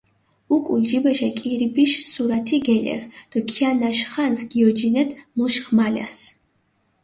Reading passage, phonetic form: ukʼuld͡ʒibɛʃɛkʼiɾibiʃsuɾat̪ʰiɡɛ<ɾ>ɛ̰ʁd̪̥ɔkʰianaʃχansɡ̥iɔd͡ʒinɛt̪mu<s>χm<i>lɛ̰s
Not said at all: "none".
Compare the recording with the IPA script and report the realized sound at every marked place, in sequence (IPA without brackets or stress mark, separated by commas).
l, ʃ, a